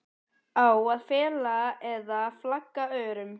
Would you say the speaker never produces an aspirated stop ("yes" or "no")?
yes